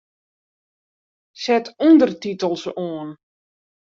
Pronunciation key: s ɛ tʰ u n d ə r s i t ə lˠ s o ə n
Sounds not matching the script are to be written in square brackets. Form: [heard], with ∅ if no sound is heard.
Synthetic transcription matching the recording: s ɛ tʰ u n d ə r [t] i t ə lˠ s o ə n

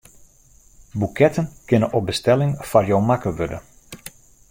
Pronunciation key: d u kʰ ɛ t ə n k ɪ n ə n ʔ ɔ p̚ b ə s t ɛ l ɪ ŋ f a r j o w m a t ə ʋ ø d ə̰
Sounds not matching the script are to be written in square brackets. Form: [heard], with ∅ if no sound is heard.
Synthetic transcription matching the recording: [b] u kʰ ɛ t ə n k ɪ n ə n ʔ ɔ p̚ b ə s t ɛ l ɪ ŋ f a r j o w m a [k] ə ʋ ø d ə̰

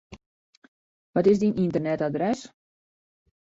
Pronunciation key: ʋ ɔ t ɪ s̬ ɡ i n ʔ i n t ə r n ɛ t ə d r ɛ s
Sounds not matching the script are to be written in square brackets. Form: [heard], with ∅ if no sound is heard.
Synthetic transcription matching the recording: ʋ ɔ t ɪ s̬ [d] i n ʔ i n t ə r n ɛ t [a] d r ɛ s

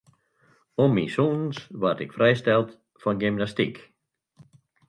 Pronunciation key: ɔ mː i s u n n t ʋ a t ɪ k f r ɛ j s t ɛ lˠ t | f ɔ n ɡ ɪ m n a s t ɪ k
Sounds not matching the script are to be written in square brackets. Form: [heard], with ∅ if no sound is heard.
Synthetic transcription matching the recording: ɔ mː i s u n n [s] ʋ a t ɪ k f r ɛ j s t ɛ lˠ t | f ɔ n ɡ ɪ m n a s t [i] k

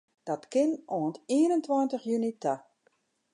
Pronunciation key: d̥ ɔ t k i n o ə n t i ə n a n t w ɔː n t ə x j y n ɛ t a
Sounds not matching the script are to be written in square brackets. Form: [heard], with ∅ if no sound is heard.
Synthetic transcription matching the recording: d̥ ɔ t k [ɪ] n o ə n t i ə n [ə] n t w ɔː n t ə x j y n [i] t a

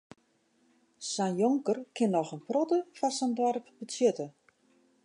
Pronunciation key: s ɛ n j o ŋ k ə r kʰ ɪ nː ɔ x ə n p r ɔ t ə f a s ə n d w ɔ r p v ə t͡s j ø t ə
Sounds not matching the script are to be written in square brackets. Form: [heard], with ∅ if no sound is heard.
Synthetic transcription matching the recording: s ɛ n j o ŋ k ə r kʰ ɪ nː ɔ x ə n p r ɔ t ə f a s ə n d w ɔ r p [b] ə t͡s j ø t ə

